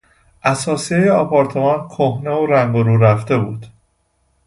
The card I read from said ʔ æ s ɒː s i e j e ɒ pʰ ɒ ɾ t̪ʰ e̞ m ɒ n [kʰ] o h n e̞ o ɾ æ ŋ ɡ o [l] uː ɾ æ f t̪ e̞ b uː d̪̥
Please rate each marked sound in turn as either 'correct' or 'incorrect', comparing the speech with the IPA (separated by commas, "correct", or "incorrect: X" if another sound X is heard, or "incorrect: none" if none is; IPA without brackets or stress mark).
correct, incorrect: ɾ